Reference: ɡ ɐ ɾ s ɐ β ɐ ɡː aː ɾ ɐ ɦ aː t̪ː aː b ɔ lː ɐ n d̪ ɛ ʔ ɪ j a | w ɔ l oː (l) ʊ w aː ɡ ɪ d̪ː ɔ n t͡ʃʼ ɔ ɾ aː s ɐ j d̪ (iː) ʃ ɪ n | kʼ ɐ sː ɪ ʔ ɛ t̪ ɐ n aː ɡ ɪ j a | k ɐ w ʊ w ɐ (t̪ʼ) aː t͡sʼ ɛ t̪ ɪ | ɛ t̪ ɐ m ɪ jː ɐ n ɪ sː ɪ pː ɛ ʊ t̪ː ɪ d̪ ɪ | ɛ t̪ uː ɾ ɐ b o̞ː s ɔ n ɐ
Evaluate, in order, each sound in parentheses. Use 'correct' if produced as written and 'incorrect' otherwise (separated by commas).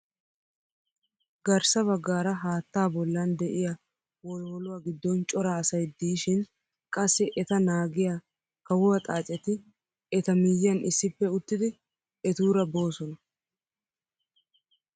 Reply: correct, correct, correct